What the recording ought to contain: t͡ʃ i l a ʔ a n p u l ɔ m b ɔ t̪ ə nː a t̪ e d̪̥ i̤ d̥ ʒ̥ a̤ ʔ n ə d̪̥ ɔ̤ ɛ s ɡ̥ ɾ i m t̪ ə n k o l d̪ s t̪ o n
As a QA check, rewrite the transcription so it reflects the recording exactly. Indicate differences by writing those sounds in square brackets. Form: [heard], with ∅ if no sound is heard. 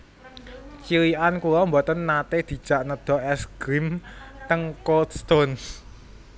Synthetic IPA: t͡ʃ i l [i] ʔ a n [k] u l ɔ m b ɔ t̪ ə nː a t̪ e d̪̥ i̤ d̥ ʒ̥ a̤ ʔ n ə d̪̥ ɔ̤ ɛ s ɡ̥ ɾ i m t̪ ə [ŋ] k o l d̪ s t̪ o n